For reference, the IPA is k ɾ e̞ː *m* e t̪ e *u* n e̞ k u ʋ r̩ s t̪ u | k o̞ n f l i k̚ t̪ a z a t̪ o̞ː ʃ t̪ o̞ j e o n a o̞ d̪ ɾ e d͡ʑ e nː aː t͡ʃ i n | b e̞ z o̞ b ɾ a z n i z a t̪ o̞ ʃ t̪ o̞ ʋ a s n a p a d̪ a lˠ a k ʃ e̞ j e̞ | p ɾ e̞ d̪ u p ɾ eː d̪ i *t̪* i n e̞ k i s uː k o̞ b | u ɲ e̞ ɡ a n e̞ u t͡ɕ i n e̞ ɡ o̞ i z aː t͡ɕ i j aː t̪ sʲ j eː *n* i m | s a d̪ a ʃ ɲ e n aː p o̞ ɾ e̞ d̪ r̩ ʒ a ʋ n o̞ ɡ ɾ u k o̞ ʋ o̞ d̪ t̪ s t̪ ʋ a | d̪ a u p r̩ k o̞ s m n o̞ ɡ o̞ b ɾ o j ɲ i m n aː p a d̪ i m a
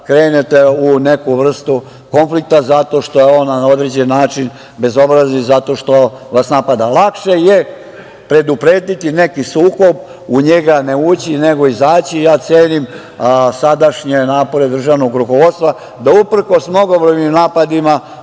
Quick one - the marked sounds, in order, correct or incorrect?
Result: incorrect: n, correct, correct, correct

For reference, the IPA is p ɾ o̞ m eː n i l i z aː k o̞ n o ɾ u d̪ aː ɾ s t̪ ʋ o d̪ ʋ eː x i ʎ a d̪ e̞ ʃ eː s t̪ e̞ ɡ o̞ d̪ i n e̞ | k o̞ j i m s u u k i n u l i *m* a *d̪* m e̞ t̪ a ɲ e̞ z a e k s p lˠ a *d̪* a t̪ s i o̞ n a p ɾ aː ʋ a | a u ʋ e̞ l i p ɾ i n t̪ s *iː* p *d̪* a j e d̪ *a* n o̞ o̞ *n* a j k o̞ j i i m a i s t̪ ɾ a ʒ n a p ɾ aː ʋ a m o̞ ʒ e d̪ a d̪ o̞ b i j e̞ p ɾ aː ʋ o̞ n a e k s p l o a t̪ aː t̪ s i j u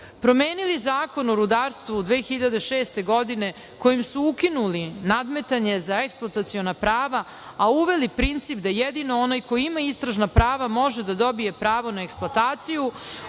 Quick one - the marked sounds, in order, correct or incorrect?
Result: incorrect: n, correct, incorrect: t̪, incorrect: i, correct, incorrect: i, correct

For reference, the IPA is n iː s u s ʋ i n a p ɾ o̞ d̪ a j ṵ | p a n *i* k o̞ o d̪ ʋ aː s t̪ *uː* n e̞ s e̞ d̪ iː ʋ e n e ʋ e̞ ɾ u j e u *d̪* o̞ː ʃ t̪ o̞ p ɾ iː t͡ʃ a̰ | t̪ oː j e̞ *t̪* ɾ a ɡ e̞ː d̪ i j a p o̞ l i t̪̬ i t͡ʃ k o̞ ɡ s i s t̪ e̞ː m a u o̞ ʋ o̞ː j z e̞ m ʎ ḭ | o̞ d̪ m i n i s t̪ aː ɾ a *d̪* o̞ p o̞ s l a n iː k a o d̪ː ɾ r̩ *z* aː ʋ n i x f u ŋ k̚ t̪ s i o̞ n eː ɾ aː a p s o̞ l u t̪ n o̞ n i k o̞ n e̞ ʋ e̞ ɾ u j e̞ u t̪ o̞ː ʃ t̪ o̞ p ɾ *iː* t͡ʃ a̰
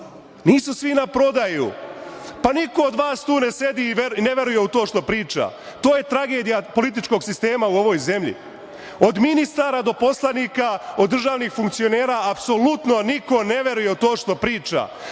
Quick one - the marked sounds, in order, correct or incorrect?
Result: correct, correct, incorrect: t̪, correct, correct, incorrect: ʒ, correct

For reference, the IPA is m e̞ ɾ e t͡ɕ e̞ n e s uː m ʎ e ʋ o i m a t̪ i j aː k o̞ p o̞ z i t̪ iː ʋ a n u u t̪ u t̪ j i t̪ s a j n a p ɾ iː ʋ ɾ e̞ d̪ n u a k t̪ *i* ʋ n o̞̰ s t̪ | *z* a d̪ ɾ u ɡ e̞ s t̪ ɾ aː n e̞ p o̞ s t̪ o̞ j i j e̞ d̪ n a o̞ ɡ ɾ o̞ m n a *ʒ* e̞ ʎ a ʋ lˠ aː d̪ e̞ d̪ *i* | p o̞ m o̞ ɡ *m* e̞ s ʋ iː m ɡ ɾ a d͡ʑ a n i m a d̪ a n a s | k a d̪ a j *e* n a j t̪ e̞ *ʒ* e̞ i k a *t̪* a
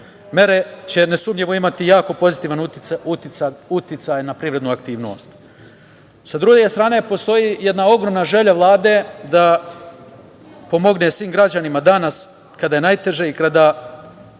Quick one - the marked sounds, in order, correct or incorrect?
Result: incorrect: iː, incorrect: s, correct, incorrect: a, incorrect: n, correct, correct, incorrect: d̪

